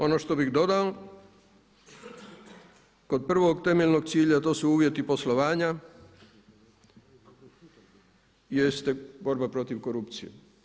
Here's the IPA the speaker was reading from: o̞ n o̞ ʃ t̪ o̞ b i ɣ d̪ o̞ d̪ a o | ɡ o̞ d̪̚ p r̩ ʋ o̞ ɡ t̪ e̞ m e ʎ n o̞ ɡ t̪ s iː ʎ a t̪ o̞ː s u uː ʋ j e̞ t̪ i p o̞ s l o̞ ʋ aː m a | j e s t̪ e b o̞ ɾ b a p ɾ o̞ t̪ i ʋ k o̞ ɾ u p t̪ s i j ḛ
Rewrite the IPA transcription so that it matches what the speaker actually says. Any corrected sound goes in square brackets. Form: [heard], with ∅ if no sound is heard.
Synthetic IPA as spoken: o̞ n o̞ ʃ t̪ o̞ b i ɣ d̪ o̞ d̪ a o | [k] o̞ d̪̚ p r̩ ʋ o̞ ɡ t̪ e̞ m e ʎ n o̞ ɡ t̪ s iː ʎ a t̪ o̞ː s u uː ʋ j e̞ t̪ i p o̞ s l o̞ ʋ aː [ɲ] a | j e s t̪ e b o̞ ɾ b a p ɾ o̞ t̪ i ʋ k o̞ ɾ u p t̪ s i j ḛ